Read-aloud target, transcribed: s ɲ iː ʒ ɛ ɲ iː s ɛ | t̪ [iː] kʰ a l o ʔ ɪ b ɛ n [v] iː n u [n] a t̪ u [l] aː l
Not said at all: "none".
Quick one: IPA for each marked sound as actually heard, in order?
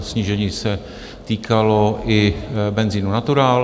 iː, z, n, ɾ

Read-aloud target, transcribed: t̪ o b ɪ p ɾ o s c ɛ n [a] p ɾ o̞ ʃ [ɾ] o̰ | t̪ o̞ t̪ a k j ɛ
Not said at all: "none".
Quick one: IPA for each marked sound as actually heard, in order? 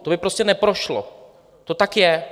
ɛ, l

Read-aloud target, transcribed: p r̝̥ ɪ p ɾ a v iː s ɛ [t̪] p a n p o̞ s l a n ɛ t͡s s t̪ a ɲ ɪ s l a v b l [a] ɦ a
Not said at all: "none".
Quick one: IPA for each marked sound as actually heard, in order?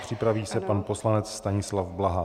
none, a

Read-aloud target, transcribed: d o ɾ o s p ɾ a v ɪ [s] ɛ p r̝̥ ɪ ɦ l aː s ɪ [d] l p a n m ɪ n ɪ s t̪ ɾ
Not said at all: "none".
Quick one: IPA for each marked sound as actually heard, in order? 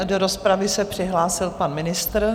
s, none

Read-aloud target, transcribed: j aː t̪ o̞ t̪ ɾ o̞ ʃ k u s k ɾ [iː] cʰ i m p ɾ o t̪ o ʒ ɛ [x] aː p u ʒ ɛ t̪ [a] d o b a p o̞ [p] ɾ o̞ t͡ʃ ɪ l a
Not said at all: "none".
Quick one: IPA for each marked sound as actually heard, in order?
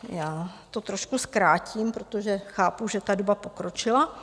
aː, x, a, k

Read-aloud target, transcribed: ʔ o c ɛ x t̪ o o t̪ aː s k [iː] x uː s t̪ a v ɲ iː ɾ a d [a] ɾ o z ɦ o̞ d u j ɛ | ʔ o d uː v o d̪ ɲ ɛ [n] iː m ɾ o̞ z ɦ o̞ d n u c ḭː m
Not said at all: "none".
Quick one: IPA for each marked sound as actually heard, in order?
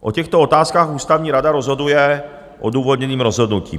aː, a, n

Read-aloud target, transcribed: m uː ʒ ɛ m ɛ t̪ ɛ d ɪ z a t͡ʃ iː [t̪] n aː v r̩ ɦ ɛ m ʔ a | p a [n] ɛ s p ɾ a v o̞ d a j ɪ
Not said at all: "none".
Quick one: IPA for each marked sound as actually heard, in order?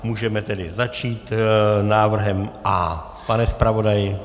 t̪, n

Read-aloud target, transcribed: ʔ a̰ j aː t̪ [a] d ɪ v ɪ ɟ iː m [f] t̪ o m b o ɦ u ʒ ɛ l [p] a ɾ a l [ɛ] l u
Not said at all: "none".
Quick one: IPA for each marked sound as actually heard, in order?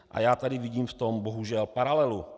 a, f, p, ɛ

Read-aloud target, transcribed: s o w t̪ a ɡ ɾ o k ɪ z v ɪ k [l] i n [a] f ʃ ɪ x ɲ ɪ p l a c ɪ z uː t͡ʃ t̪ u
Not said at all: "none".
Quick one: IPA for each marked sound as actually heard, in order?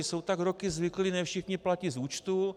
l, ɛ

